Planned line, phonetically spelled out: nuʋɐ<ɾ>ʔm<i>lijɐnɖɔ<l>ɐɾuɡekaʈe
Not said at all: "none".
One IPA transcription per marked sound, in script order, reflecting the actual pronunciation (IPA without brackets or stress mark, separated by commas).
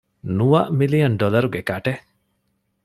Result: none, i, l